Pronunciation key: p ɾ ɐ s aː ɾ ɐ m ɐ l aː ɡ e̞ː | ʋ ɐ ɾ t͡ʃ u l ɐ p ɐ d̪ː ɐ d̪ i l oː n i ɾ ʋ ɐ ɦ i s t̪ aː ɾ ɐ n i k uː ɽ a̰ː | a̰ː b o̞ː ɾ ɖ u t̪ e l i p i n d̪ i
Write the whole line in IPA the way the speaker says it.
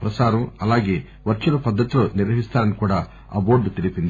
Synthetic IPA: p ɾ ɐ s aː ɾ ɐ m ɐ l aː ɡ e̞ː | ʋ ɐ ɾ t͡ʃ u l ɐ p ɐ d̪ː ɐ t̪ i l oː n i ɾ ʋ ɐ ɦ i s t̪ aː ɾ ɐ n i k uː ɽ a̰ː | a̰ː b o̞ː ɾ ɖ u t̪ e l i p i n d̪ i